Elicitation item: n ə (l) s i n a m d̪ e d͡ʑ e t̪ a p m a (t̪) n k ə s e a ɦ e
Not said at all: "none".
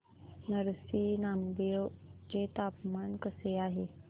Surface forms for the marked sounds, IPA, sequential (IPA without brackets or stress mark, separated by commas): ɾ, none